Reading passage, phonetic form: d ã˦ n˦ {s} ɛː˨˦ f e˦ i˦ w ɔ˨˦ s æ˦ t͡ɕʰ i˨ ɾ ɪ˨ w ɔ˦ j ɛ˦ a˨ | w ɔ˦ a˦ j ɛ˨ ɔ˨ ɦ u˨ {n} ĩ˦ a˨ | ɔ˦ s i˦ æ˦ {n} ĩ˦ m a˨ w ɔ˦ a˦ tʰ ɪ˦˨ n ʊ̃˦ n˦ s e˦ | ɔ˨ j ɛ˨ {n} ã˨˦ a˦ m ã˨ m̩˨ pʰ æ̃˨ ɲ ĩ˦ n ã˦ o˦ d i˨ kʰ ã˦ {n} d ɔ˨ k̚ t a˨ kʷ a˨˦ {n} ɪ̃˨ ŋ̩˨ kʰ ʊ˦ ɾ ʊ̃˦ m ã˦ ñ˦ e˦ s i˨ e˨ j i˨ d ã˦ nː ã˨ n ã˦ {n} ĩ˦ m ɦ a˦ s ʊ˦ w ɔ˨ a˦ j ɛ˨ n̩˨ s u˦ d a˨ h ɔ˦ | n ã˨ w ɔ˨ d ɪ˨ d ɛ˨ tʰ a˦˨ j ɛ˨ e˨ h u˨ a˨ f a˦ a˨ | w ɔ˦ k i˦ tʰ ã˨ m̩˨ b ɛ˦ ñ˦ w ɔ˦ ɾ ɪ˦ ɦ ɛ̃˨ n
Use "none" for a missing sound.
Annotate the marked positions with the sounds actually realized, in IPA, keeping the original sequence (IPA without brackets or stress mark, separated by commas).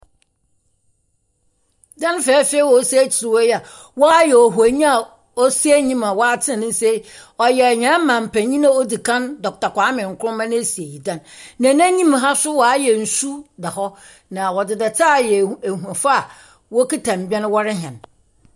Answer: f, ɲ, ɲ, ɲ, n, m, ɲ